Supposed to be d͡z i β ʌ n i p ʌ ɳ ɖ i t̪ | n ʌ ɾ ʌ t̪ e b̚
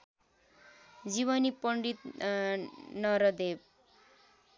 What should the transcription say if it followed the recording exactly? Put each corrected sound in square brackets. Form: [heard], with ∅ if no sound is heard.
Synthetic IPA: d͡z i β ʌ n i p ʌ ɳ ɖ i t̪ | n ʌ ɾ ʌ [d̪] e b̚

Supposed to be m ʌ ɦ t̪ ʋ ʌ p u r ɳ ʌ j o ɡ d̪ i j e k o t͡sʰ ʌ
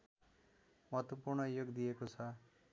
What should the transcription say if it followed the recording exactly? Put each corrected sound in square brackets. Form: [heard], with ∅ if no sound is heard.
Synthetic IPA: m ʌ ɦ t̪ [w] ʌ p u r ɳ ʌ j o ɡ d̪ i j e k o t͡sʰ ʌ

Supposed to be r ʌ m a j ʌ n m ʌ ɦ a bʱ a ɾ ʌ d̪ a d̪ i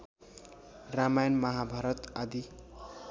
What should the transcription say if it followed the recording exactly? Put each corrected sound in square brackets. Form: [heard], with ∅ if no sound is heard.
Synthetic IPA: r [a] m a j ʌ n m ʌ ɦ a bʱ a ɾ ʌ [t̪] a d̪ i

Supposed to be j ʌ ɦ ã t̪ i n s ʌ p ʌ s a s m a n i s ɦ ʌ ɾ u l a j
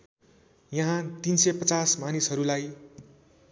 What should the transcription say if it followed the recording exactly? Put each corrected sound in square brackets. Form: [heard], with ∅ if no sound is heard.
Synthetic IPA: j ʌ ɦ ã t̪ i n s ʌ p ʌ [t͡s] a s m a n i s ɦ ʌ ɾ u l a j

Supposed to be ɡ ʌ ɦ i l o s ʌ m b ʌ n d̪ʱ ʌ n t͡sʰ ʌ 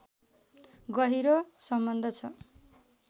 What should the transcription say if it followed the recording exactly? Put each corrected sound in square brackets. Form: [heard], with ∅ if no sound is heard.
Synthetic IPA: ɡ ʌ ɦ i [ɾ] o s ʌ m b ʌ n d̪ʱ ʌ [∅] t͡sʰ ʌ

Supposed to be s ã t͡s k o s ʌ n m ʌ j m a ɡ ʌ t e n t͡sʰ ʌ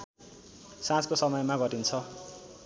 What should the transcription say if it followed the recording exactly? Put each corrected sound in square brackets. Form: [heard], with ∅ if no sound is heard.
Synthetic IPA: s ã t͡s k o s ʌ [∅] m ʌ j m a ɡ ʌ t [i] n t͡sʰ ʌ

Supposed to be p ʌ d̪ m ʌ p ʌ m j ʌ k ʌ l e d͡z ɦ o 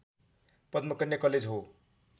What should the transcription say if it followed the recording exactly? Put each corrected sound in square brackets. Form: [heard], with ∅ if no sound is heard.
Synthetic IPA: p ʌ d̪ m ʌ [k] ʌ [n] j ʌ k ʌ l e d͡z ɦ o

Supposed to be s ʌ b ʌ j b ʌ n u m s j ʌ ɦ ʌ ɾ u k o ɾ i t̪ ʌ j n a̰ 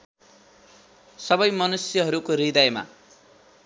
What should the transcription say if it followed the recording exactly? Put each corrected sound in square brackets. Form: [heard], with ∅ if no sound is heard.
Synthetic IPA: s ʌ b ʌ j [m] ʌ n u [∅] s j ʌ ɦ ʌ ɾ u k o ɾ i [d̪] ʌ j [m] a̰

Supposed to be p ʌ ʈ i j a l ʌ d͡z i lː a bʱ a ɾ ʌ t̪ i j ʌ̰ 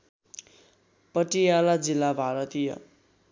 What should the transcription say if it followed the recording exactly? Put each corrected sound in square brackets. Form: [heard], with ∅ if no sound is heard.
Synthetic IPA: p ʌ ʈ i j a l [a] d͡z i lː a bʱ a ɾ ʌ t̪ i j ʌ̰

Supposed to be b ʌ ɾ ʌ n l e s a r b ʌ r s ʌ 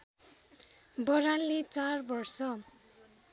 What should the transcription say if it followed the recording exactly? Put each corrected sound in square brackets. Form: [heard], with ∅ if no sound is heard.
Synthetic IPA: b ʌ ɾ [a] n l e [t͡s] a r b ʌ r s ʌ

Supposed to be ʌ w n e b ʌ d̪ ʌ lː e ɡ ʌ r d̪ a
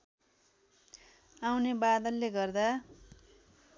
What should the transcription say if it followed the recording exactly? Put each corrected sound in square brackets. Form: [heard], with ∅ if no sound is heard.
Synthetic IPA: [a] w n e b [a] d̪ ʌ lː e ɡ ʌ r d̪ a

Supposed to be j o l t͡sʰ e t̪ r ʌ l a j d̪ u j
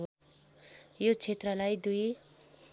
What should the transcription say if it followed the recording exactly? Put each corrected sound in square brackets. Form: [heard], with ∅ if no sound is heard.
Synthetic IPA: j o [∅] t͡sʰ e t̪ r ʌ l a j d̪ u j

